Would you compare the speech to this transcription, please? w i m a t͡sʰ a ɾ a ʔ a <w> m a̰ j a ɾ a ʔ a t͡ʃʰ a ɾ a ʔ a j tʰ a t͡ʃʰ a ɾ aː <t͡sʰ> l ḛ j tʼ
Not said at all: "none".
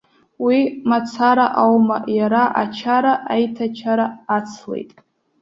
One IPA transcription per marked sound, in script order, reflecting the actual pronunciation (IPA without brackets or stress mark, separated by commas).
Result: w, t͡sʰ